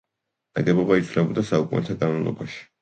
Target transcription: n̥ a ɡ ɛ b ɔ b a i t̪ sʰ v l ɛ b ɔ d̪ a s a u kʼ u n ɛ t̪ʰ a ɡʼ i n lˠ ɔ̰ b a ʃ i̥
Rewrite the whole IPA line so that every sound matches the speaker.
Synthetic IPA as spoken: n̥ a ɡ ɛ b ɔ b a i t̪ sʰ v l ɛ b ɔ d̪ a s a u kʼ u n ɛ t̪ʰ a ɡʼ a n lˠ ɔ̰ b a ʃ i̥